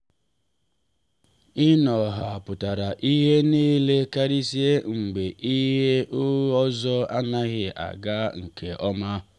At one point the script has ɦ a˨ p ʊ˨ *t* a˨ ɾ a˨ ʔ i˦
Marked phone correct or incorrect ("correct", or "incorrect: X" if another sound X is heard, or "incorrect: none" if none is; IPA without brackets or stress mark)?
correct